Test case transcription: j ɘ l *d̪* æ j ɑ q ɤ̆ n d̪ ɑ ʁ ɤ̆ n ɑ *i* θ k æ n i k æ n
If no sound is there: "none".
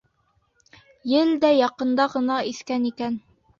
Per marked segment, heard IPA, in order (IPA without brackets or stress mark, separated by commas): d̪, i